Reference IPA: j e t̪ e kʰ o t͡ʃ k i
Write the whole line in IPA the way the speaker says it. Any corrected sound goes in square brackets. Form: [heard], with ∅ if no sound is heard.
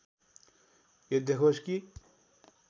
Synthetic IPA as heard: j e [d̪] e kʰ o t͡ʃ k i